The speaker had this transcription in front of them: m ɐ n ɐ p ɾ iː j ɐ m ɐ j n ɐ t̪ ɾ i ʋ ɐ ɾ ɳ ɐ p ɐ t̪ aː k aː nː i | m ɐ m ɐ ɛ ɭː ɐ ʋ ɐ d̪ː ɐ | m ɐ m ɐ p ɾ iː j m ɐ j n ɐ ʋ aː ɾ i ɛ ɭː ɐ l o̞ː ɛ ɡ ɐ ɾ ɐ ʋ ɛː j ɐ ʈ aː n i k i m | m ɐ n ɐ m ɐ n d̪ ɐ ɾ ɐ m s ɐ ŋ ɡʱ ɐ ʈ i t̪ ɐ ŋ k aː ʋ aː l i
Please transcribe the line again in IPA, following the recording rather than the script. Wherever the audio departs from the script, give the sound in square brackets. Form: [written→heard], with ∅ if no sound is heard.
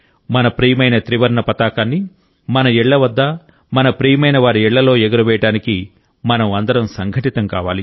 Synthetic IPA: m ɐ n ɐ p ɾ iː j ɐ m ɐ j n ɐ t̪ ɾ i ʋ ɐ ɾ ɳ ɐ p ɐ t̪ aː k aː nː i | m ɐ [m→n] ɐ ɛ ɭː ɐ ʋ ɐ d̪ː ɐ | m ɐ [m→n] ɐ p ɾ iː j m ɐ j n ɐ ʋ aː ɾ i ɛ ɭː ɐ l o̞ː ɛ ɡ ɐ ɾ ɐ ʋ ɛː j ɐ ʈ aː n i k i [m→∅] | m ɐ n ɐ m ɐ n d̪ ɐ ɾ ɐ m s ɐ ŋ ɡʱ ɐ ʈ i t̪ ɐ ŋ k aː ʋ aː l i

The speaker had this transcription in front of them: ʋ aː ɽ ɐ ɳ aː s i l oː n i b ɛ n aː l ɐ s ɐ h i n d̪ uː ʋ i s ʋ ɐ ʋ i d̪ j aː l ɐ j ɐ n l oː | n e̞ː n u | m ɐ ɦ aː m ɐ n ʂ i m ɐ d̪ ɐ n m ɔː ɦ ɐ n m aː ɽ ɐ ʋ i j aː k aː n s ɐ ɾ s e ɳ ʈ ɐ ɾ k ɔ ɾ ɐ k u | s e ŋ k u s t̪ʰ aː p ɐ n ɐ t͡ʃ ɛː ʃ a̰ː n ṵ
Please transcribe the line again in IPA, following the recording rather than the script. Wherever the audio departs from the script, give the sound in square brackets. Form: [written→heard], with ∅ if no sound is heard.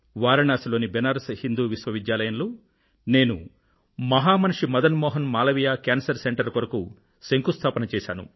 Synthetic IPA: ʋ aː [ɽ→ɾ] ɐ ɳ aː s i l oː n i b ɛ n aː [l→ɾ] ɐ s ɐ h i n d̪ uː ʋ i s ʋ ɐ ʋ i d̪ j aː l ɐ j ɐ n l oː | n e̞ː n u | m ɐ ɦ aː m ɐ n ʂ i m ɐ d̪ ɐ n m ɔː ɦ ɐ n m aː [ɽ→l] ɐ ʋ i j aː k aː n s ɐ ɾ s e ɳ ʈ ɐ ɾ k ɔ ɾ ɐ k u | s e ŋ k u s t̪ʰ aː p ɐ n ɐ t͡ʃ ɛː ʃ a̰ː n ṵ

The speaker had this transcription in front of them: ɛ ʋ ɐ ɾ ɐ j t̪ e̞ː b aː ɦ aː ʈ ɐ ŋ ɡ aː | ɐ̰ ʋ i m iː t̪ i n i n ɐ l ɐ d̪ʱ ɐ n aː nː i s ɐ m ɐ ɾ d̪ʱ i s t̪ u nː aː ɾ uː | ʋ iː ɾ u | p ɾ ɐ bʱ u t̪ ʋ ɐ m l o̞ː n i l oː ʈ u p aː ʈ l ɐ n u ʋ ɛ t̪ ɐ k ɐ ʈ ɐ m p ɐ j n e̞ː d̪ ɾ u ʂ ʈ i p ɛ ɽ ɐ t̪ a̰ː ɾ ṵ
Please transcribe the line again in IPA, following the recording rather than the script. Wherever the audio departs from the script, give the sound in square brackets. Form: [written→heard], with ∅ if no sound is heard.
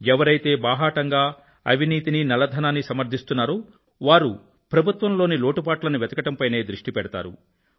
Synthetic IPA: ɛ ʋ ɐ ɾ ɐ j t̪ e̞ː b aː ɦ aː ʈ ɐ ŋ ɡ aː | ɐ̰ ʋ i [m→n] iː t̪ i n i n ɐ l ɐ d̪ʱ ɐ n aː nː i s ɐ m ɐ ɾ d̪ʱ i s t̪ u nː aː ɾ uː | ʋ [iː→aː] ɾ u | p ɾ ɐ bʱ u t̪ ʋ ɐ m l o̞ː n i l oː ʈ u p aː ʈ l ɐ n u ʋ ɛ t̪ ɐ k ɐ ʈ ɐ m p ɐ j n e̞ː d̪ ɾ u ʂ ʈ i p ɛ ɽ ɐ t̪ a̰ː ɾ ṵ

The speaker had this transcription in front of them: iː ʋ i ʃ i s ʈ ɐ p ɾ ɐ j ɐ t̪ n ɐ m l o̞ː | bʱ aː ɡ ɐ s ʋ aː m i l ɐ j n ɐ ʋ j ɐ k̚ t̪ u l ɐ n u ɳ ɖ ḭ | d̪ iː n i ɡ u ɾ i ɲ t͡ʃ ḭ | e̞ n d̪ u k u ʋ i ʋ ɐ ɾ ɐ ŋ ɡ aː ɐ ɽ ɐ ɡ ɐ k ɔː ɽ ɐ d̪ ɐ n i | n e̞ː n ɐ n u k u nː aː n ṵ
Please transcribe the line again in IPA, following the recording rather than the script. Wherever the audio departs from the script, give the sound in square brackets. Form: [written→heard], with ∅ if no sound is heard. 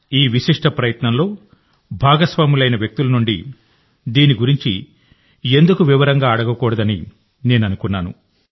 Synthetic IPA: iː ʋ i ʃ i [s→ʂ] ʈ ɐ p ɾ ɐ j ɐ t̪ n ɐ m l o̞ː | bʱ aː ɡ ɐ s ʋ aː m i l ɐ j n ɐ ʋ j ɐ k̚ t̪ u l ɐ n u ɳ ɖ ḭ | d̪ iː n i ɡ u ɾ i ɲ t͡ʃ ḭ | e̞ n d̪ u k u ʋ i ʋ ɐ ɾ ɐ ŋ ɡ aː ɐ ɽ ɐ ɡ ɐ k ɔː ɽ ɐ d̪ ɐ n i | n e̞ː n ɐ n u k u nː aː n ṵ

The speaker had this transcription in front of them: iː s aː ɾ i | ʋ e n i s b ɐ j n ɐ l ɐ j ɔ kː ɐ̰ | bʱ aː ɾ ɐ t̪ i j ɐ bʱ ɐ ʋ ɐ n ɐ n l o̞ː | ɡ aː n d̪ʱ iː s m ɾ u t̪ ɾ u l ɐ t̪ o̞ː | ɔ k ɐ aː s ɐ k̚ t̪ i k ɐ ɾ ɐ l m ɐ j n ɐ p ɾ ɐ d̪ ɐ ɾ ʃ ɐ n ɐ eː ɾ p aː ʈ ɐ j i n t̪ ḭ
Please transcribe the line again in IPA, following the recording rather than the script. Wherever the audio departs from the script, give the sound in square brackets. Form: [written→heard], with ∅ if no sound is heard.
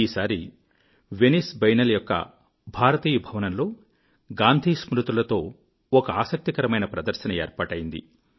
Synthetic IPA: iː s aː ɾ i | ʋ e n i s b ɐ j n ɐ l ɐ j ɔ kː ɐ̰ | bʱ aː ɾ ɐ t̪ [i→iː] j ɐ bʱ ɐ ʋ ɐ n ɐ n l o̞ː | ɡ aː n d̪ʱ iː s m ɾ u t̪ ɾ u l ɐ t̪ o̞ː | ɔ k ɐ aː s ɐ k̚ t̪ i k ɐ ɾ ɐ [l→∅] m ɐ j n ɐ p ɾ ɐ d̪ ɐ ɾ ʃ ɐ n ɐ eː ɾ p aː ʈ ɐ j i n [t̪→d̪] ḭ

